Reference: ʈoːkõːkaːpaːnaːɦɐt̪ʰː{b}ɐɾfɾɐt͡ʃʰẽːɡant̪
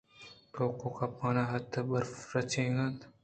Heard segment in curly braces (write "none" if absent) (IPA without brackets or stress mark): b